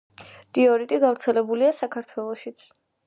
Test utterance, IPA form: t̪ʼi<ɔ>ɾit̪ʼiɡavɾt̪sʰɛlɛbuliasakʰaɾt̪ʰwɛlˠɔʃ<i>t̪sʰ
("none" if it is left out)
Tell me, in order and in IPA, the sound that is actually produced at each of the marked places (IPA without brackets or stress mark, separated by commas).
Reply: ɔ, i